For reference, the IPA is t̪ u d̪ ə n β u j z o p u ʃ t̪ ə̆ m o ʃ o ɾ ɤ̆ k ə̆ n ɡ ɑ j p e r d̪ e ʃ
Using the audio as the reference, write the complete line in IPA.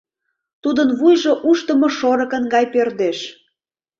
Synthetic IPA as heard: t̪ u d̪ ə n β u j ʒ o ʔ u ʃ t̪ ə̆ m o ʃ o ɾ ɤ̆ k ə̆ n ɡ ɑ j p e r d̪ e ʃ